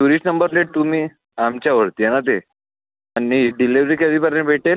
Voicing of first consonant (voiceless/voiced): voiced